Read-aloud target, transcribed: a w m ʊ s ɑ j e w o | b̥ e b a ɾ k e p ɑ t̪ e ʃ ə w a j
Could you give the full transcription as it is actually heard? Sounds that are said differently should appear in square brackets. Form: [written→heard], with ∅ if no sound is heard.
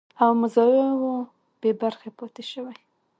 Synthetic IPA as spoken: a w m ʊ [s→z] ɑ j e w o | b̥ e b a ɾ [k→x] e p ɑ t̪ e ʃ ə w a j